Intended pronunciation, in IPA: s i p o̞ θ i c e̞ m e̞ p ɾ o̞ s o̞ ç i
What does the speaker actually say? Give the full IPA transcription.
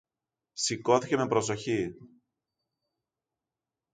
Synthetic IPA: s i k o̞ θ i c e̞ m e̞ p ɾ o̞ s o̞ ç i

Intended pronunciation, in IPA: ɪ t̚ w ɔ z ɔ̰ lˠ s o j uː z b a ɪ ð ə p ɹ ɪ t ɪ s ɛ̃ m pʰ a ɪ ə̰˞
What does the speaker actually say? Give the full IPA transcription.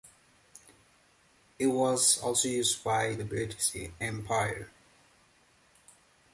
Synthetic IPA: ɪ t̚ w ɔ z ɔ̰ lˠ s o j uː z b a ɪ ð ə b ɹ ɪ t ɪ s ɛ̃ m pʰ a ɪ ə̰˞

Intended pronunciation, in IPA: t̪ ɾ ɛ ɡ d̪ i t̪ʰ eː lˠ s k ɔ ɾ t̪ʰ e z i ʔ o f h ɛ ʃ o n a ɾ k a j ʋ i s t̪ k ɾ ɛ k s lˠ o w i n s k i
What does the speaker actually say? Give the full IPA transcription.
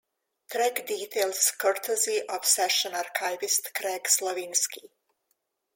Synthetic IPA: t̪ ɾ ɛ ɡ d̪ i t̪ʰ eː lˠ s k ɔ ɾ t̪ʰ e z i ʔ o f s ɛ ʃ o n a ɾ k a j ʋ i s t̪ k ɾ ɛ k s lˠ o ʋ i n s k i

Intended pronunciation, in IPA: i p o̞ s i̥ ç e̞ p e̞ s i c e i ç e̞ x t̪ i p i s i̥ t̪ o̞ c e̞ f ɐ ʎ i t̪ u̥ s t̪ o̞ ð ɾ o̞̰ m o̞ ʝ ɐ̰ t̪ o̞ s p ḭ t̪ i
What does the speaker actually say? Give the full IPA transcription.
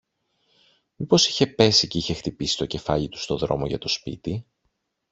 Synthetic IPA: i p o̞ s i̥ ç e̞ p e̞ s i c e i ç e̞ x t̪ i p i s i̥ t̪ o̞ c e̞ f ɐ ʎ i t̪ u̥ s t̪ o̞ ð ɾ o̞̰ m o̞ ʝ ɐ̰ t̪ o̞ s p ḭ t̪ i

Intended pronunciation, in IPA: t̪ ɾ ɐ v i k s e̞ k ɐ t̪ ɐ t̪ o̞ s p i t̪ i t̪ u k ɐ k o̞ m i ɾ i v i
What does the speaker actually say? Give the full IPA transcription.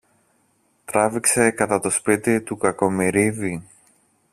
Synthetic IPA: t̪ ɾ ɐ v i k s e̞ k ɐ t̪ ɐ t̪ o̞ s p i t̪ i t̪ u k ɐ k o̞ m i ɾ i v i

